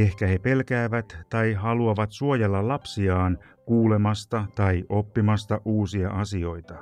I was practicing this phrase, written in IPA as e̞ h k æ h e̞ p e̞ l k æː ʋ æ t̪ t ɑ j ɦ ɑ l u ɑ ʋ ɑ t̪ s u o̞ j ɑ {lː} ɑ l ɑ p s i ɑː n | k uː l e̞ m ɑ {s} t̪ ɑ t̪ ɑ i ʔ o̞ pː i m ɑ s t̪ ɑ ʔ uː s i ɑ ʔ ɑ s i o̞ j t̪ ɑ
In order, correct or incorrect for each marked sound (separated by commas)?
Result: correct, correct